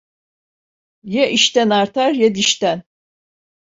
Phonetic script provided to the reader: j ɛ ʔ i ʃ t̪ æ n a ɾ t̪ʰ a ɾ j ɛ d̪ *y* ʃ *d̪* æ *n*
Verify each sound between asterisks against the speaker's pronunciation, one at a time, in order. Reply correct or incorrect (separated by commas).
incorrect, incorrect, correct